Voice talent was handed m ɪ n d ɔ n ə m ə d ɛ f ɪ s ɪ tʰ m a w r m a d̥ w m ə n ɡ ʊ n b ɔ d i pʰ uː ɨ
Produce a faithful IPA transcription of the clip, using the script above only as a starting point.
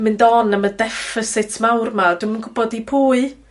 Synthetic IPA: m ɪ n d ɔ n ə m ə d ɛ f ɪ s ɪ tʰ m a w r m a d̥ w m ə n ɡ ʊ b ɔ d i pʰ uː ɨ